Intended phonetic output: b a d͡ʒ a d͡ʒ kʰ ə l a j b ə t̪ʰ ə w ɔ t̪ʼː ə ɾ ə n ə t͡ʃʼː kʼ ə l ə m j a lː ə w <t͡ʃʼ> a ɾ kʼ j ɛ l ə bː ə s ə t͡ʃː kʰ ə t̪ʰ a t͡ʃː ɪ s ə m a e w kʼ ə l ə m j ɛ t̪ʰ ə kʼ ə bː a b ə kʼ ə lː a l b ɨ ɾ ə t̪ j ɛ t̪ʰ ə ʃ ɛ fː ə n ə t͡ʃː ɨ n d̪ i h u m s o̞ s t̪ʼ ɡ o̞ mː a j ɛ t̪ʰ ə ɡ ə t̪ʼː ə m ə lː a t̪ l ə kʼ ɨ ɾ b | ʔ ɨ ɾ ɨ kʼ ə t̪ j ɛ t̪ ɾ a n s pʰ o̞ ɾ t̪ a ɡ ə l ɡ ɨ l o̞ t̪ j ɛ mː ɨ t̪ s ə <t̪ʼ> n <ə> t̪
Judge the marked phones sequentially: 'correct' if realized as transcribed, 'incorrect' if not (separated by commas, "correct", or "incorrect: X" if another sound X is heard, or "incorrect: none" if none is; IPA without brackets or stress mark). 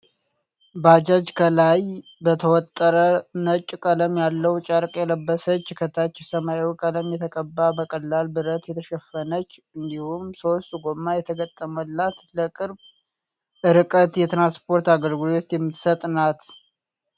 correct, correct, incorrect: a